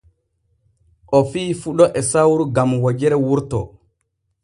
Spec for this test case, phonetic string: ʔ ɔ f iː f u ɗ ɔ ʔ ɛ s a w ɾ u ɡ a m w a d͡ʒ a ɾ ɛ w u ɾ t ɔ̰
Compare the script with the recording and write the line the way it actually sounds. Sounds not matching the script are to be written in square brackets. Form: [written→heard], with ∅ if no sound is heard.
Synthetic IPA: ʔ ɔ f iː f u ɗ ɔ ʔ ɛ s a w ɾ u ɡ a m w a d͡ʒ [a→ɛ] ɾ ɛ w u ɾ t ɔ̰